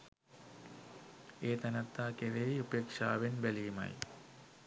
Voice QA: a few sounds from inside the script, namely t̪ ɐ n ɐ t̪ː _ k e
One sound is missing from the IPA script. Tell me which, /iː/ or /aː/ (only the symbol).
aː